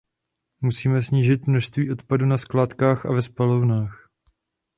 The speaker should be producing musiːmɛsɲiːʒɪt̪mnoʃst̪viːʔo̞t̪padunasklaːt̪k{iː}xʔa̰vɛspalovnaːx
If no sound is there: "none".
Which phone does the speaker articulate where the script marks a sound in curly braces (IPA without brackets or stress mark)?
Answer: aː